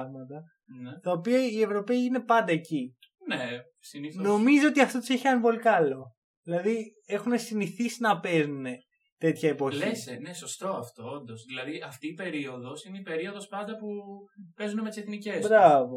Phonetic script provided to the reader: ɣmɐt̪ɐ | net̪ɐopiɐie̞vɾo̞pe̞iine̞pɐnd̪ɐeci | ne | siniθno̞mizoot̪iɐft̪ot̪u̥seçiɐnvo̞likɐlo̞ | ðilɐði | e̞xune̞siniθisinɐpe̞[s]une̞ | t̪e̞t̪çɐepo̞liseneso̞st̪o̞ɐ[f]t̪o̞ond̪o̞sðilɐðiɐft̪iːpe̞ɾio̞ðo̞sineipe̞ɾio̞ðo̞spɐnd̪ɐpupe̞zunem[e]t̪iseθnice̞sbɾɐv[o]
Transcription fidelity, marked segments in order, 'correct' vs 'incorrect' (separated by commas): incorrect, correct, correct, correct